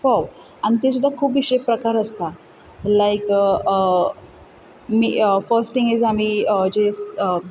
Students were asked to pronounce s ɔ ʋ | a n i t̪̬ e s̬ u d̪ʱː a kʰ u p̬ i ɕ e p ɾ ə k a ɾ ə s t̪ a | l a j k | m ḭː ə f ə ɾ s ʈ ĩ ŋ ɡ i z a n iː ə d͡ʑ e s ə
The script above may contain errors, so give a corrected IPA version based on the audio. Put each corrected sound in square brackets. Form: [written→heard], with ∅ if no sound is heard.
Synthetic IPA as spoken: [s→f] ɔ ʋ | a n i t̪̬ e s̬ u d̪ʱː a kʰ [u→uː] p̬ i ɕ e p ɾ ə k a ɾ ə s t̪ a | l a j k | m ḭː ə f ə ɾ s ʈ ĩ ŋ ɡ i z a [n→m] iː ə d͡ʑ e s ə